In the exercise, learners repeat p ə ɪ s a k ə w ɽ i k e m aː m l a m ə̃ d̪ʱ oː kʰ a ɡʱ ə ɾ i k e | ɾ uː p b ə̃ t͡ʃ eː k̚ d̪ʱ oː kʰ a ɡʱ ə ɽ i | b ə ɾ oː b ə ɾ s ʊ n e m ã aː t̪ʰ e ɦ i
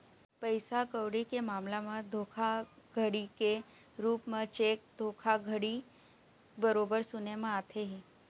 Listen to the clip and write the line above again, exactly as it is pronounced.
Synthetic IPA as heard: p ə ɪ s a k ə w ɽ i k e m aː m l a m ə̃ d̪ʱ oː kʰ a ɡʱ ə ɽ i k e | ɾ uː p m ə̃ t͡ʃ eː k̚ d̪ʱ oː kʰ a ɡʱ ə ɽ i | b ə ɾ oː b ə ɾ s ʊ n e m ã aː t̪ʰ e ɦ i